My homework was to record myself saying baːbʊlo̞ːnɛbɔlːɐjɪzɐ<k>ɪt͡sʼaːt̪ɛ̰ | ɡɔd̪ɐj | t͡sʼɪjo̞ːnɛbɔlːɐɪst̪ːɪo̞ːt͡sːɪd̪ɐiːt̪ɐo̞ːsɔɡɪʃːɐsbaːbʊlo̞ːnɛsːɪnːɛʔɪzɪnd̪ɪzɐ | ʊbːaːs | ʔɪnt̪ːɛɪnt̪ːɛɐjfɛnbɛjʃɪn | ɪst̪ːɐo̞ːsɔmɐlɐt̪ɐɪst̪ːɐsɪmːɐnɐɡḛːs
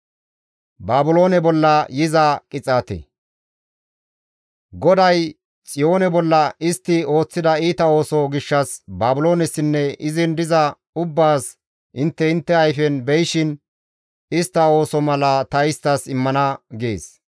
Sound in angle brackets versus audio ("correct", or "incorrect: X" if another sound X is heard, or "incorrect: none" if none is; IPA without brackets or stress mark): incorrect: kʼ